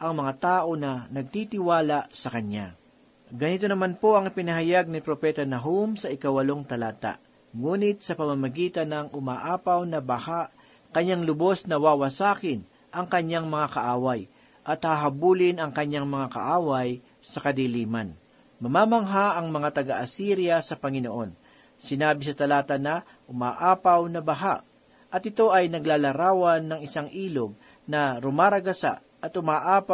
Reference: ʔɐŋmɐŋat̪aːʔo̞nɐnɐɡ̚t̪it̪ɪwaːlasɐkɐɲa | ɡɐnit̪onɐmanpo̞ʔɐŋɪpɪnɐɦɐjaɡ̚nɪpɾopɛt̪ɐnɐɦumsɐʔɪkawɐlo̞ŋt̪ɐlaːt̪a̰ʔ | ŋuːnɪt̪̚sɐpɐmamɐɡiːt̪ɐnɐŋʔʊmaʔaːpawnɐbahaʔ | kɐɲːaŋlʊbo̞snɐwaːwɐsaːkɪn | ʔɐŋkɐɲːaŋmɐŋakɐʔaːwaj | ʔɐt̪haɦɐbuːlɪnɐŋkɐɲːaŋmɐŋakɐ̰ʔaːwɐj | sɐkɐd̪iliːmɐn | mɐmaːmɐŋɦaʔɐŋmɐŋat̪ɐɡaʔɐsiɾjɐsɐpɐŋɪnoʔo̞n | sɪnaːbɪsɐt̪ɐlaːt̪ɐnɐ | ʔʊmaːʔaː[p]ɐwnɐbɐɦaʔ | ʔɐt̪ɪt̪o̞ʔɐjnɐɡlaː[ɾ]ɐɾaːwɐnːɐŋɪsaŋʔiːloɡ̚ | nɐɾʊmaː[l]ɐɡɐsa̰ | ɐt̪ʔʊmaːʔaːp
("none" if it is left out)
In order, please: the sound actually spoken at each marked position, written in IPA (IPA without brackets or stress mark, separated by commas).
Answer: p, l, ɾ